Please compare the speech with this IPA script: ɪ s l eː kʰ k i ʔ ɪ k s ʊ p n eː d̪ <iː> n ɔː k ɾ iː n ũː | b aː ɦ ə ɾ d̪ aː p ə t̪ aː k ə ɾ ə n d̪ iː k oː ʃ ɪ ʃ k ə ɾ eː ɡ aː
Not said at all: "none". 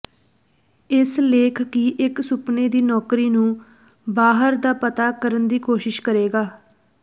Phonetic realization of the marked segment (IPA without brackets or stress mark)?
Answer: iː